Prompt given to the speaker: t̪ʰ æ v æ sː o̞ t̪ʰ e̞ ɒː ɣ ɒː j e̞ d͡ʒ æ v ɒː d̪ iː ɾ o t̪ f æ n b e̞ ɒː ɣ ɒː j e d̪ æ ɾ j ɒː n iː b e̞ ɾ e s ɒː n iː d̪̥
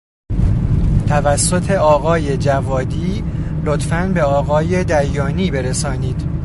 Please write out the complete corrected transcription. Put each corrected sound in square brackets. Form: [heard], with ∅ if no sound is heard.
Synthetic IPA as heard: t̪ʰ æ v æ sː o̞ t̪ʰ e̞ ɒː ɣ ɒː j e̞ d͡ʒ æ v ɒː d̪ iː [l] o t̪ f æ n b e̞ ɒː ɣ ɒː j e d̪ æ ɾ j ɒː n iː b e̞ ɾ e s ɒː n iː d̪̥